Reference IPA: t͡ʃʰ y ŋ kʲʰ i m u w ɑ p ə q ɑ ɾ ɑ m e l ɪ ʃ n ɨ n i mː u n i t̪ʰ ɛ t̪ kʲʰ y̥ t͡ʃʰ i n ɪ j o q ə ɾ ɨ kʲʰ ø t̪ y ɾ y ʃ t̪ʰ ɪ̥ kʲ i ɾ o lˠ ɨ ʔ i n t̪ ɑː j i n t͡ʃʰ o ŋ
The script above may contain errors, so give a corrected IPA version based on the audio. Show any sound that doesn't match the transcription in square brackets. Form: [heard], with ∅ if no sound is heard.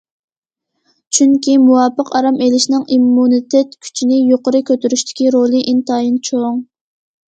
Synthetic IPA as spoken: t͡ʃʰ y ŋ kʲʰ i m u w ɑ p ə q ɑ ɾ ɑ m e l ɪ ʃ n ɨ [ŋ] i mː u n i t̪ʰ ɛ t̪ kʲʰ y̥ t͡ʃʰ i n ɪ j o q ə ɾ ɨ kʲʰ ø t̪ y ɾ y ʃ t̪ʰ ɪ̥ kʲ i ɾ o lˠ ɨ ʔ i n t̪ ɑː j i n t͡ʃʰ o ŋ